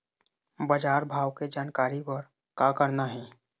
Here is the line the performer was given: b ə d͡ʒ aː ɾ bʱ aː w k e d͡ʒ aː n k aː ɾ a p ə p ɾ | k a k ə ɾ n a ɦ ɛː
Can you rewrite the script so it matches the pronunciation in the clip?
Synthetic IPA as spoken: b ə d͡ʒ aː ɾ bʱ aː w k e d͡ʒ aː n k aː ɾ i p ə ɾ | k a k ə ɾ n a ɦ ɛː